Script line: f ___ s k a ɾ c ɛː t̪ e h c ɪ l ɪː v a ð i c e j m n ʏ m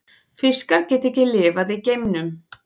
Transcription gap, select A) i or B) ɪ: B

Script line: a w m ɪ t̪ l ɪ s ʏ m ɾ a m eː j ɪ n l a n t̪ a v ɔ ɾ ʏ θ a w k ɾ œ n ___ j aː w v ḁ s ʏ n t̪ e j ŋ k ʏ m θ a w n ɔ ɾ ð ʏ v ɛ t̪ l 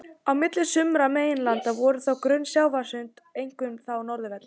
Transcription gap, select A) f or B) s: B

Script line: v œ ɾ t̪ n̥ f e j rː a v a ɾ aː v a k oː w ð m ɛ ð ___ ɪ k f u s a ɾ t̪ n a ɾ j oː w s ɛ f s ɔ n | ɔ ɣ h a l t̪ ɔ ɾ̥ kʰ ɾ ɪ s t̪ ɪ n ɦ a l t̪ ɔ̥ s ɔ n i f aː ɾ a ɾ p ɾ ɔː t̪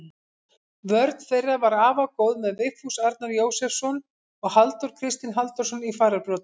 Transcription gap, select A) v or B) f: A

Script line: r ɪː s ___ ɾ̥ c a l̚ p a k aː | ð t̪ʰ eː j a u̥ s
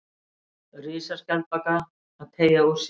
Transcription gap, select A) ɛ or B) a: B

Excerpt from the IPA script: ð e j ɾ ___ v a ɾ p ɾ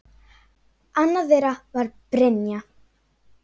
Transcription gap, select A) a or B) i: A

